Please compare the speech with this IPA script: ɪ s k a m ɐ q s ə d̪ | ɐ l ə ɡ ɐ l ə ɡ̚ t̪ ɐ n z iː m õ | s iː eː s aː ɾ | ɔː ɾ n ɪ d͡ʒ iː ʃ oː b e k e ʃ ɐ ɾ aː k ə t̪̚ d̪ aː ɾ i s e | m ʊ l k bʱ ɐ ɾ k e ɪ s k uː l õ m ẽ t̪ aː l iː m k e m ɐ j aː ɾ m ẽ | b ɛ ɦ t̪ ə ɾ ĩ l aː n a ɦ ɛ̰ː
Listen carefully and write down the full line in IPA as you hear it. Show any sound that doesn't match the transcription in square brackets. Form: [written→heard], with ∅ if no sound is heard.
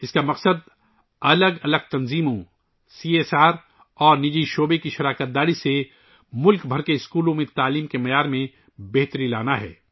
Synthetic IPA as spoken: ɪ s k a m ɐ q s ə d̪ | ɐ l ə ɡ ɐ l ə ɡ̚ t̪ ɐ n z iː m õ | s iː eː s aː ɾ | ɔː ɾ n ɪ d͡ʒ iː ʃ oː b e k [e→i] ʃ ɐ ɾ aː k ə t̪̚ d̪ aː ɾ i s e | m ʊ l k bʱ ɐ ɾ k e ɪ s k uː l õ m ẽ t̪ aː l iː m k e m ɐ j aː ɾ m ẽ | b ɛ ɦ t̪ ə ɾ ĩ l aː n a ɦ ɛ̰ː